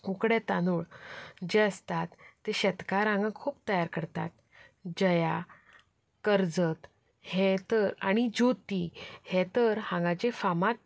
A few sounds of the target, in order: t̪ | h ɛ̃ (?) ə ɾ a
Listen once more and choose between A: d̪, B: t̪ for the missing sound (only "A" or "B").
B